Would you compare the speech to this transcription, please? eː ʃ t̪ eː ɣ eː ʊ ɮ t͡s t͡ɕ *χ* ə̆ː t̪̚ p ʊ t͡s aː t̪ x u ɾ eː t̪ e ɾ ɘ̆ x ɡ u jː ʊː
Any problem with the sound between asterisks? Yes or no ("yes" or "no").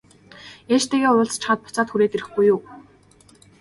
no